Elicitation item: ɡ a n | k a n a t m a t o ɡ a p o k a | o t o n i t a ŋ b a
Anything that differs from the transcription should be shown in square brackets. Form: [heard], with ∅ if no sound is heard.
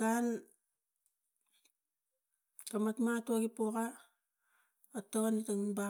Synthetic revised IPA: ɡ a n | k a [m] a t m a t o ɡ [i] p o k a | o t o n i t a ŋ b a